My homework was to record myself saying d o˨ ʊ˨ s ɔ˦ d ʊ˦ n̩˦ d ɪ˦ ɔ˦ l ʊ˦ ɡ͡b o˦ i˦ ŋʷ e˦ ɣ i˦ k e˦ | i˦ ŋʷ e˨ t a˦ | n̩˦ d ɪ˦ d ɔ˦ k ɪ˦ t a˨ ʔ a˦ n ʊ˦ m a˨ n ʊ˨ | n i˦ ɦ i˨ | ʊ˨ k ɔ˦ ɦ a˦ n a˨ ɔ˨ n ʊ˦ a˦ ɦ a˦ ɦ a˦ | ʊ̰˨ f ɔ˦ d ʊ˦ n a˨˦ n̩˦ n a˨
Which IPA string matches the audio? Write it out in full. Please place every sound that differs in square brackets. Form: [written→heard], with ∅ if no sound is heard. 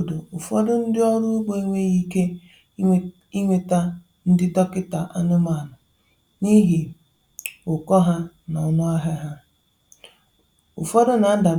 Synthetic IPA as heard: d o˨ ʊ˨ [s→f] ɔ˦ d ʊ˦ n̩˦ d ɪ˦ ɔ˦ [l→ɾ] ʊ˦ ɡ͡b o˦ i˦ ŋʷ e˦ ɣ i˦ k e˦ | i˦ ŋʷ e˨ t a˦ | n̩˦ d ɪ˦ d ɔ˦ k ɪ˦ t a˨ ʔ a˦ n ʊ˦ m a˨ n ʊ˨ | n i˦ ɦ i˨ | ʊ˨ k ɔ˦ ɦ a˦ n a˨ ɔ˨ n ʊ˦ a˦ ɦ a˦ ɦ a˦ | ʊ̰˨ f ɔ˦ d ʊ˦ n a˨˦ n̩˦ [n→d] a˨